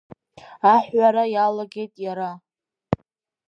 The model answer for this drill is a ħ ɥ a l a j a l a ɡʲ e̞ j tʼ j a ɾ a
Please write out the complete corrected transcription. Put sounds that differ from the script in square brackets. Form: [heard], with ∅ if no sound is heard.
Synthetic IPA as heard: a ħ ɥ a [ɾ] a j a l a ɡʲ e̞ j tʼ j a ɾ a